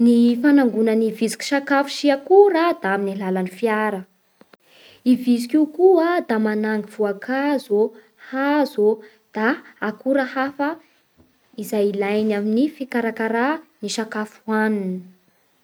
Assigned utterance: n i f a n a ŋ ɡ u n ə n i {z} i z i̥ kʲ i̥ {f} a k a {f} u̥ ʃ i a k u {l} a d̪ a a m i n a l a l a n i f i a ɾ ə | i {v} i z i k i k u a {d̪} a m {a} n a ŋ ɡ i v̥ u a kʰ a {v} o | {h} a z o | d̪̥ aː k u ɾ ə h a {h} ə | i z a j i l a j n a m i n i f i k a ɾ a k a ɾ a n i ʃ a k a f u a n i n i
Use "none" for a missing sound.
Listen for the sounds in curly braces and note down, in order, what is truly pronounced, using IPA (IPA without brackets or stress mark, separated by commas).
v, ʃ, f, ɾ, v, d̪, a, z, h, f